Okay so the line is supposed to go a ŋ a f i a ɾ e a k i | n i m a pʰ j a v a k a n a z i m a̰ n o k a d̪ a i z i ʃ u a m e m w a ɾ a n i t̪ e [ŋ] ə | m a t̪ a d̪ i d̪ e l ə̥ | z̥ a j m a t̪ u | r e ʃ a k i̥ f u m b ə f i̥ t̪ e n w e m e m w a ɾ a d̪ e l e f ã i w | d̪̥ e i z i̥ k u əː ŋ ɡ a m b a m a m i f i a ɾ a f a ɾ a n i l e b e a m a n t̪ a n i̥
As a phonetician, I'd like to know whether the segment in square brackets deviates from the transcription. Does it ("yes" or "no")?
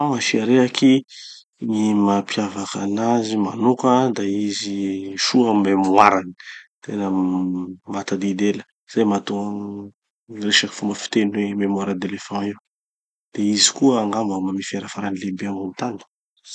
yes